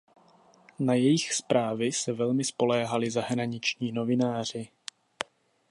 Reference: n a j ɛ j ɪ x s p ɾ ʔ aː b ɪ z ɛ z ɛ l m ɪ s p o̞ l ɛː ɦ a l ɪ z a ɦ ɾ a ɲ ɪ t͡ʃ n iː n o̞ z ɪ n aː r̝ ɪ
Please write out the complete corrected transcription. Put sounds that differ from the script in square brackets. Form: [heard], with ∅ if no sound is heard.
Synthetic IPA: n a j ɛ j ɪ x s p ɾ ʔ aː [v] ɪ [s] ɛ [v] ɛ l m ɪ s p o̞ l ɛː ɦ a l ɪ z a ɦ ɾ a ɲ ɪ t͡ʃ [ɲ] iː n o̞ [v] ɪ n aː r̝ ɪ